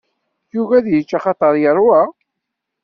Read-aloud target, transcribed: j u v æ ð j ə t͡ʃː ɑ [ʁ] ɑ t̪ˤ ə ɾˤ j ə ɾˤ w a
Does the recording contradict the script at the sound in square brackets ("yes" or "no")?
yes